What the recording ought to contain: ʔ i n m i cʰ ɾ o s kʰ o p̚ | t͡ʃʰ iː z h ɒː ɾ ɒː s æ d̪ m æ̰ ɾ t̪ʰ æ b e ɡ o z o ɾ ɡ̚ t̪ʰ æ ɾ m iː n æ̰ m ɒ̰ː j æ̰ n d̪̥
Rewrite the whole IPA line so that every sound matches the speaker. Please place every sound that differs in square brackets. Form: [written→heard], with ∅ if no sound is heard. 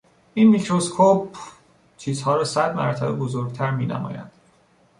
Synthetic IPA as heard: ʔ i n m i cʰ ɾ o s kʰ o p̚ | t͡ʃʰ iː z h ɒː ɾ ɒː s æ d̪ m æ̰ ɾ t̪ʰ æ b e [ɡ→b] o z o ɾ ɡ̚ t̪ʰ æ ɾ m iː n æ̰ m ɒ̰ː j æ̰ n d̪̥

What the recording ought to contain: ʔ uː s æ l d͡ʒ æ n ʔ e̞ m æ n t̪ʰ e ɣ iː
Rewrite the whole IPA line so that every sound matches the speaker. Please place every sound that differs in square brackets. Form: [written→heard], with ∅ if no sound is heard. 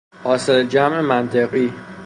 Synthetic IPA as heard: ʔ [uː→ɒː] s [æ→e] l d͡ʒ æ [n→m] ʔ e̞ m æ n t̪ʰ e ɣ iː

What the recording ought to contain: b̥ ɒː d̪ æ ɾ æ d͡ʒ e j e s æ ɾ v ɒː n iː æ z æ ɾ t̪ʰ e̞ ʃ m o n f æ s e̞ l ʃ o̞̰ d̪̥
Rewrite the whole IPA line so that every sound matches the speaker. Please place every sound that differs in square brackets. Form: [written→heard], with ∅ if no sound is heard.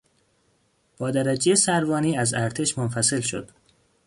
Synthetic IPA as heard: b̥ ɒː d̪ æ ɾ æ d͡ʒ e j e s æ ɾ v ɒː n iː æ z æ ɾ t̪ʰ e̞ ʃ m o n f æ s e̞ l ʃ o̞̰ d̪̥

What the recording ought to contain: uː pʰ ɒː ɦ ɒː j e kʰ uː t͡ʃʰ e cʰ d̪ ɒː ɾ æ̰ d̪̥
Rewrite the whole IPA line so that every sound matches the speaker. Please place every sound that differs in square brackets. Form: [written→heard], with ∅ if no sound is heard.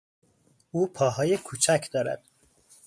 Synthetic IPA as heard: uː pʰ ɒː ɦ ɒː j e kʰ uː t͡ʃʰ [e→æ] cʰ d̪ ɒː ɾ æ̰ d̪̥

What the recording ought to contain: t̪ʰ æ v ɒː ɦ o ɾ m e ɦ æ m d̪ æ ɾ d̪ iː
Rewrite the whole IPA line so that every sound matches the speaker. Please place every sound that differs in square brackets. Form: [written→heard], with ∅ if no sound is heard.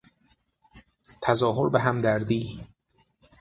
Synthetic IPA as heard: t̪ʰ æ [v→z] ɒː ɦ o ɾ [m→b] e ɦ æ m d̪ æ ɾ d̪ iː

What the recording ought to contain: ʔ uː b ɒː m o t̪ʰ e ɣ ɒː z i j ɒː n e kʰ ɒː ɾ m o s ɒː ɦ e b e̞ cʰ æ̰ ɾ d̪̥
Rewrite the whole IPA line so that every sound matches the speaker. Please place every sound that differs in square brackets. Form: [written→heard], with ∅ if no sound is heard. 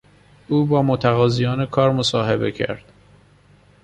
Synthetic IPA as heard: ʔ uː b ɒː m o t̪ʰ [e→æ] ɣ ɒː z i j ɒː n e kʰ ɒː ɾ m o s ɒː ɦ e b e̞ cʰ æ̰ ɾ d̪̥

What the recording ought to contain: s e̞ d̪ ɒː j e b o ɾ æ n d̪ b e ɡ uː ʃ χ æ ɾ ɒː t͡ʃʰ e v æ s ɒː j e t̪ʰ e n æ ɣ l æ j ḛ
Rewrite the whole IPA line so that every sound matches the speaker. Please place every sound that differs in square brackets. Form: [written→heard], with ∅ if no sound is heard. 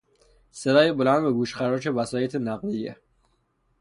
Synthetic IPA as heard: s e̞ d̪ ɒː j e b o [ɾ→l] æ n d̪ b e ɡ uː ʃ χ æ ɾ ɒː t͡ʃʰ e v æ s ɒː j e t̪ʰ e n æ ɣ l [æ→i] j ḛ

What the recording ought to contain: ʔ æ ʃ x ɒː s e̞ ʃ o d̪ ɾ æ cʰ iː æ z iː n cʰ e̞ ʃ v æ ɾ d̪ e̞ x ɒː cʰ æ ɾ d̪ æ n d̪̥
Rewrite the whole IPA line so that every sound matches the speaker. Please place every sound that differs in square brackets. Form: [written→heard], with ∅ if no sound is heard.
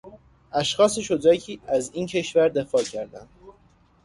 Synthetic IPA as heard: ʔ æ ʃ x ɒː s e̞ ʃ o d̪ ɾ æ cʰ iː æ z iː n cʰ e̞ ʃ v æ ɾ d̪ e̞ [x→f] ɒː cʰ æ ɾ d̪ æ n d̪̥

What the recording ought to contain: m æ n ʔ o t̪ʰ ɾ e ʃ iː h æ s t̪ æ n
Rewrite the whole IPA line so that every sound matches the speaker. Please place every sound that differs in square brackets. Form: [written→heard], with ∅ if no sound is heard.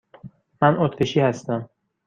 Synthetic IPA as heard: m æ n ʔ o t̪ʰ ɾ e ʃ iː h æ s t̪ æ [n→m]

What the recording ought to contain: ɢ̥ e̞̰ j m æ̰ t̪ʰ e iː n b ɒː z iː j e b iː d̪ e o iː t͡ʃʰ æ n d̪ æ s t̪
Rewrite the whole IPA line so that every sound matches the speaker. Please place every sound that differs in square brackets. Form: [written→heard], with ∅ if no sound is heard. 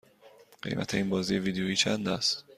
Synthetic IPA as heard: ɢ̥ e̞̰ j m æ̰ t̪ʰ e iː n b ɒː z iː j e [b→v] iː d̪ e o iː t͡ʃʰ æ n d̪ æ s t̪

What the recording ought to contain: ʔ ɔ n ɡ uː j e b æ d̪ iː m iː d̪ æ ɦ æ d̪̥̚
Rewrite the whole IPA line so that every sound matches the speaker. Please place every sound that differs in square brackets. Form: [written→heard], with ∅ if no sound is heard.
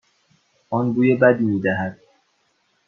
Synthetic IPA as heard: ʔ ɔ n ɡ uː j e b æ d̪ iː m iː d̪ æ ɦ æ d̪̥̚

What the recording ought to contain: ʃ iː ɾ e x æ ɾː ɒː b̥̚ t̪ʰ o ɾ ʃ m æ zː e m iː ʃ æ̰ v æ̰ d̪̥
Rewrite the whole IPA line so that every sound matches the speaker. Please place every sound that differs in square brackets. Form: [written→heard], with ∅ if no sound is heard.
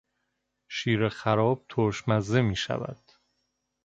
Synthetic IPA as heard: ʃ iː ɾ e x æ [ɾː→ɾ] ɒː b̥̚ t̪ʰ o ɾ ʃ m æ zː e m iː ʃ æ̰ v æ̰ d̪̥

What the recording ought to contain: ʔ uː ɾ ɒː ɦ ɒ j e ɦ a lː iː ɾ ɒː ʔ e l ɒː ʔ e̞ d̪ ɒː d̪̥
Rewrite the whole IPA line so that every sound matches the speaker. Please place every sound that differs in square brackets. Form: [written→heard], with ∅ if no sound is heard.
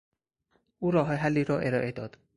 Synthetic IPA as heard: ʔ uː ɾ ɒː ɦ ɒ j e ɦ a lː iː ɾ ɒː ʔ e [l→ɾ] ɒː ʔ e̞ d̪ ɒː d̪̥

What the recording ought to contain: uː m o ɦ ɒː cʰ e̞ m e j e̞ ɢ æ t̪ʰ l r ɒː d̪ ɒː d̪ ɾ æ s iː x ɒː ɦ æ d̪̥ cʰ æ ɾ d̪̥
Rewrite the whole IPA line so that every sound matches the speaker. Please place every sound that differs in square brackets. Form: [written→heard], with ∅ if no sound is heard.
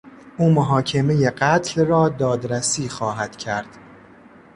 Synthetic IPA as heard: uː m o ɦ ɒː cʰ e̞ m e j e̞ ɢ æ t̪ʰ l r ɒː d̪ ɒː d̪ ɾ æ s iː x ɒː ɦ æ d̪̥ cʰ æ ɾ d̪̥

